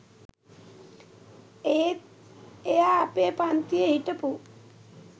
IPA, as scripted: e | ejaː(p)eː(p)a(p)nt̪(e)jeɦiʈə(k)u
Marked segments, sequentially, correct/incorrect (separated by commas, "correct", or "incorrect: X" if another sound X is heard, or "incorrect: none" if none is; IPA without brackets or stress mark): correct, correct, incorrect: none, incorrect: i, incorrect: p